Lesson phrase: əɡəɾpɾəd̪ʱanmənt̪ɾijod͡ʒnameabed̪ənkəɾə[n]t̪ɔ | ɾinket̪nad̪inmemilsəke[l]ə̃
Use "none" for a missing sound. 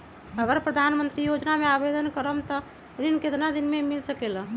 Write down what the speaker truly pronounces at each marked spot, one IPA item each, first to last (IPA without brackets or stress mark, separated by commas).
m, l